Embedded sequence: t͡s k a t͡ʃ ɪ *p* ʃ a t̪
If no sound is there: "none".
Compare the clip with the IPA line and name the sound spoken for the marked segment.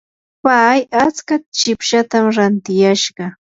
p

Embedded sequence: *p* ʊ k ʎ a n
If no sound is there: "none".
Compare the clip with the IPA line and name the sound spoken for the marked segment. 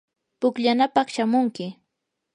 p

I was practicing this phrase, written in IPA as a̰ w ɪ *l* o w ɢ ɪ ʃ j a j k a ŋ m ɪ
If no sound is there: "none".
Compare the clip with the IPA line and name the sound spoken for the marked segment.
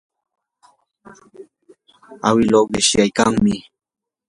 l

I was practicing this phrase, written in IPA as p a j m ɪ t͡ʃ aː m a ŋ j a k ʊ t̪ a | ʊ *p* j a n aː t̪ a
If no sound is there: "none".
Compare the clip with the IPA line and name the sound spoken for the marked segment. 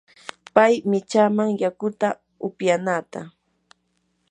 p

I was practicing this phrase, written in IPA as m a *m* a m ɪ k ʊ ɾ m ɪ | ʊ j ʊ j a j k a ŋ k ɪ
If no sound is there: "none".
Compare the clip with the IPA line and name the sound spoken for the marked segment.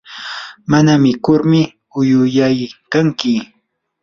n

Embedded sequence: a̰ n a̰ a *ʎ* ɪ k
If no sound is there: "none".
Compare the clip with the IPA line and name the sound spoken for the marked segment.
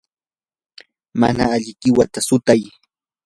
ʎ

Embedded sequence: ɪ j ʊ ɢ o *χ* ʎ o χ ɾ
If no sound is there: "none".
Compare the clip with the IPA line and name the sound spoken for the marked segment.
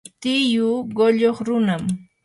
none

